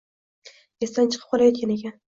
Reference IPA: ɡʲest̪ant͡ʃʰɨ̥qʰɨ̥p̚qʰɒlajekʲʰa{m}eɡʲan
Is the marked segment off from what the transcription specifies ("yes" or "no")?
yes